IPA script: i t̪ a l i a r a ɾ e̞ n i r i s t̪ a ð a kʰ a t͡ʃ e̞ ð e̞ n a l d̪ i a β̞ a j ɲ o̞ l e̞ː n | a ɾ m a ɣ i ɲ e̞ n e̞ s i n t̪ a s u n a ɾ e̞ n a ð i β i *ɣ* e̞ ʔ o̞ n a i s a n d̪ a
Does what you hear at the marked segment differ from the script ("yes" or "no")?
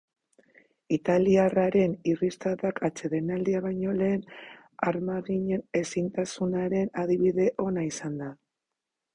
yes